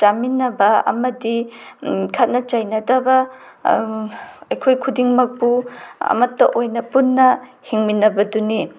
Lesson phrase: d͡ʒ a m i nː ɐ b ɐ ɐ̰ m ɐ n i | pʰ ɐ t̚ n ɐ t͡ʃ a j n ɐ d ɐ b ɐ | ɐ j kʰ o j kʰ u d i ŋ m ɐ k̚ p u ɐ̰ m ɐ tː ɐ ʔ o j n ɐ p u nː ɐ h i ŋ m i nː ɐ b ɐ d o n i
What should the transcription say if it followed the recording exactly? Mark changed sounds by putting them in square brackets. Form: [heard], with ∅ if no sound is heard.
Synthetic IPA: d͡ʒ a m i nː ɐ b ɐ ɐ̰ m ɐ [d] i | [kʰ] ɐ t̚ n ɐ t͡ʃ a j n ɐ d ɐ b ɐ | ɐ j kʰ o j kʰ u d i ŋ m ɐ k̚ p u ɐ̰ m ɐ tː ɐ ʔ o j n ɐ p u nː ɐ h i ŋ m i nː ɐ b ɐ d [u] n i